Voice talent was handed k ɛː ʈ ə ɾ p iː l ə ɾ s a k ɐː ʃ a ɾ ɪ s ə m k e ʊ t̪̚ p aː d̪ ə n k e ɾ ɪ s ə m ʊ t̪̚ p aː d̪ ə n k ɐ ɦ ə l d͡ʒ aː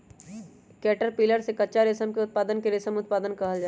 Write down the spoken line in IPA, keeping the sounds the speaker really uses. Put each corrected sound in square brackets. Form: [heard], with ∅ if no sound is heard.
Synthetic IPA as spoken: k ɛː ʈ ə ɾ p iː l ə ɾ s [e] k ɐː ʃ a ɾ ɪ s ə m k e ʊ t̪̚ p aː d̪ ə n k e ɾ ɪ s ə m ʊ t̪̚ p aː d̪ ə n k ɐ ɦ ə l d͡ʒ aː